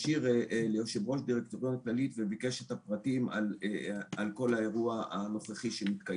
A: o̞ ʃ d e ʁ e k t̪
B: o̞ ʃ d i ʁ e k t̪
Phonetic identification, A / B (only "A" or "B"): B